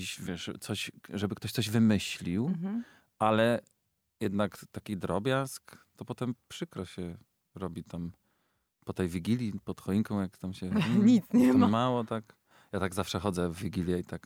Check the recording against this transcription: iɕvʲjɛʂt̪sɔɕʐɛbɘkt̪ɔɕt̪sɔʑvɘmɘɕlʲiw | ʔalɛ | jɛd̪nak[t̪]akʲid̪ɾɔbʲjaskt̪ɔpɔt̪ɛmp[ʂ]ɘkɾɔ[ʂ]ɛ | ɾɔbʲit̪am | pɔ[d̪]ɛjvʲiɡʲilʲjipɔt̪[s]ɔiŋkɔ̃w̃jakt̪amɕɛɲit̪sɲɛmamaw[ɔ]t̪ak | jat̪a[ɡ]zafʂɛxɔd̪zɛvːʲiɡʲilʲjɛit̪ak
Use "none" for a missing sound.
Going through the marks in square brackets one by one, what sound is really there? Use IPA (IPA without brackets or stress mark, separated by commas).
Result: t̪, ʂ, ɕ, t̪, x, ɔ, ɡ